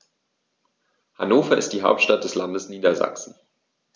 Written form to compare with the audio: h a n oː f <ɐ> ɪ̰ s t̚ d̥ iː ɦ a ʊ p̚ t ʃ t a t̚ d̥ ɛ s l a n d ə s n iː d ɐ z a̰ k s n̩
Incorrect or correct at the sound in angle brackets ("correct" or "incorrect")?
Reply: correct